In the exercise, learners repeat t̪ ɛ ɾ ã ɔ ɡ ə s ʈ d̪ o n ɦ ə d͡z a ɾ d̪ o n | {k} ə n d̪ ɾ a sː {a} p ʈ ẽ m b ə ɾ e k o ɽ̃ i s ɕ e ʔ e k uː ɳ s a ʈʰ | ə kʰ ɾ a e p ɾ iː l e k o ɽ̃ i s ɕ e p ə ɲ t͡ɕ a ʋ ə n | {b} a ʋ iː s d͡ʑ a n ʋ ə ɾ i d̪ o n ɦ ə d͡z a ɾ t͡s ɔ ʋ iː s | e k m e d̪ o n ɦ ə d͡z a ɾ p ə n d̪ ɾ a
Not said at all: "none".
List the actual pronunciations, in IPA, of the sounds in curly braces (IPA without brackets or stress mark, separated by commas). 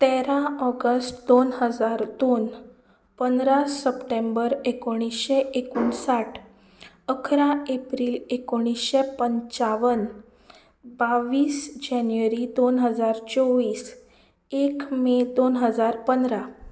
p, ə, b